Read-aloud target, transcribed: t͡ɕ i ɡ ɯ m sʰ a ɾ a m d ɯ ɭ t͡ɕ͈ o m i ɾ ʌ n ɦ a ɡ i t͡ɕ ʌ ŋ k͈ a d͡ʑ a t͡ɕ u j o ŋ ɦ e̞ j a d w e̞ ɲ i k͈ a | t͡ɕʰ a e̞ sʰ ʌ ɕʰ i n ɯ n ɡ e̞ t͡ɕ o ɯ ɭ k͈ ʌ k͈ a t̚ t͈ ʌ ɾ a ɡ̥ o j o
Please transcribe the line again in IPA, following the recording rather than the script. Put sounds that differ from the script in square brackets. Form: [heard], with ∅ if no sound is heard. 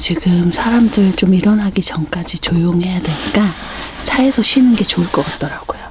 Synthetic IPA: t͡ɕ i ɡ ɯ m sʰ a ɾ a m d ɯ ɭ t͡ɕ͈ o m i ɾ ʌ n ɦ a ɡ i t͡ɕ ʌ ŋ k͈ a d͡ʑ [i] t͡ɕ [o] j o ŋ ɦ e̞ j a d w e̞ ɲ i k͈ a | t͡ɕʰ a e̞ sʰ ʌ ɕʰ i n ɯ n ɡ e̞ t͡ɕ o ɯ ɭ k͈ ʌ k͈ a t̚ t͈ ʌ ɾ a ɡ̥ o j o